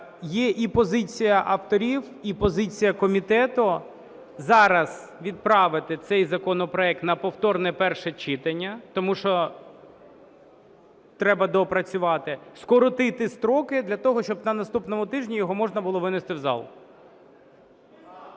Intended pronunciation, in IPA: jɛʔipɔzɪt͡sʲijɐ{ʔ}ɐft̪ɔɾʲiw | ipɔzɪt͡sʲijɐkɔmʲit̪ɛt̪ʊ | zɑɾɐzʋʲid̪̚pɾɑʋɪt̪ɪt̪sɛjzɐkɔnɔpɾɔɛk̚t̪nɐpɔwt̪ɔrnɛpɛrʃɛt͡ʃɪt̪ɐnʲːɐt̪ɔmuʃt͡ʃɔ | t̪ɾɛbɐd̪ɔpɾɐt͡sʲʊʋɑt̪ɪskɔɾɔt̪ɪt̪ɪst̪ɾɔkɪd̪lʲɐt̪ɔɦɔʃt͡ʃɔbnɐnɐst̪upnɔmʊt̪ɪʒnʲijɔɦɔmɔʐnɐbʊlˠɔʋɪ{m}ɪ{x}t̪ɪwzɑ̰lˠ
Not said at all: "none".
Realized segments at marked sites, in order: ʔ, n, s

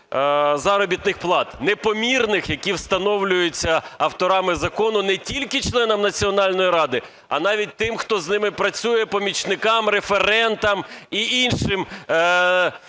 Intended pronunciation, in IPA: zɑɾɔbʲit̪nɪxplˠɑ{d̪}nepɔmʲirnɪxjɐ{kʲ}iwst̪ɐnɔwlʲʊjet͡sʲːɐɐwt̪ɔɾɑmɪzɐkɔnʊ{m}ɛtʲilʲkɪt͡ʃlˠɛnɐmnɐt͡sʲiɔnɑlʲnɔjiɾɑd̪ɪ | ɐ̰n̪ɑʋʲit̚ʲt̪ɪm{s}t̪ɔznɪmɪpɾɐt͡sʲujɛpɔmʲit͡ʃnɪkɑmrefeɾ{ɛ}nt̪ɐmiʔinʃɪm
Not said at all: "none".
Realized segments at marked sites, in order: t̪, kʲ, n, x, ɛ

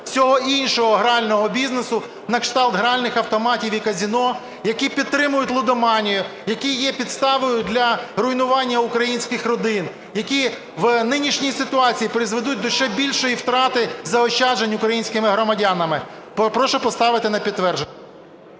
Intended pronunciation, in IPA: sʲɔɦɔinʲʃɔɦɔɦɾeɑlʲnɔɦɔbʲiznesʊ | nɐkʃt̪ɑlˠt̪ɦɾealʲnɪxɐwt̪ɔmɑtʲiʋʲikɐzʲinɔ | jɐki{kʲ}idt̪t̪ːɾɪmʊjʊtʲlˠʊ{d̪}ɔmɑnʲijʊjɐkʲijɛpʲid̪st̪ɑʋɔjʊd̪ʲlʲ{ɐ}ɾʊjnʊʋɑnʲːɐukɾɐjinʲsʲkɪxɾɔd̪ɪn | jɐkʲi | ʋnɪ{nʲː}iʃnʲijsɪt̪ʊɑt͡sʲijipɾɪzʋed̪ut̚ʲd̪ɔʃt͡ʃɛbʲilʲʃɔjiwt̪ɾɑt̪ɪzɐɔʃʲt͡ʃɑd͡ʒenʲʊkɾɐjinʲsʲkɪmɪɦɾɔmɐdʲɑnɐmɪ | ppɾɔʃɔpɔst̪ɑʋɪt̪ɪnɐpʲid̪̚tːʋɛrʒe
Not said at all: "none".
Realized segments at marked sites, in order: pʲ, d̪, ɐ, nʲ

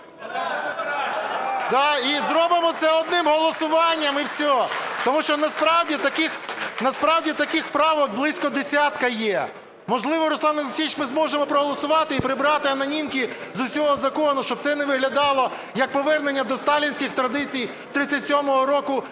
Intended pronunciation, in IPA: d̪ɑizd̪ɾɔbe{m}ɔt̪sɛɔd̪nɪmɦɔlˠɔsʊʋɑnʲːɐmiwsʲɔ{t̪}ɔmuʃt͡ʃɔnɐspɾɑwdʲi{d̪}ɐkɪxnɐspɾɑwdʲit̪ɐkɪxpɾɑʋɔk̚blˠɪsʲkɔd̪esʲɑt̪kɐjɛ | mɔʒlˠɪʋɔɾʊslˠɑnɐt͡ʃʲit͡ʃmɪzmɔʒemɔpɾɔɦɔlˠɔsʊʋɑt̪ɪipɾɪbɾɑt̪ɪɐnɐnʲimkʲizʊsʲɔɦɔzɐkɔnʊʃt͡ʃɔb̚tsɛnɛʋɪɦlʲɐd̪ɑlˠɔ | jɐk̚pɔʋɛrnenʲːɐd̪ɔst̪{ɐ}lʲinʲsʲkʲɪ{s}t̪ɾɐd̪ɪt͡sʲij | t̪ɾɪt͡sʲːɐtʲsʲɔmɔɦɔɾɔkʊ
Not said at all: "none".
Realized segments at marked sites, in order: m, t̪, t̪, ɑ, x

